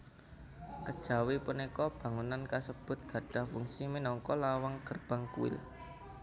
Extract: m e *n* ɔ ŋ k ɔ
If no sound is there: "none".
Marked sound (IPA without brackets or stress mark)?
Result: n